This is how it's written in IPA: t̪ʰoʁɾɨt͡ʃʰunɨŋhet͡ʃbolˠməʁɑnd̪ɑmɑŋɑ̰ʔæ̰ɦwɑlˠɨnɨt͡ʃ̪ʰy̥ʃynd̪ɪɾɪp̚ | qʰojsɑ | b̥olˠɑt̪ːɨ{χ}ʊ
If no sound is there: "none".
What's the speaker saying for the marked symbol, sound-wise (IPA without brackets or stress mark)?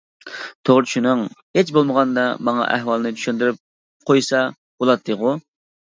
ʁ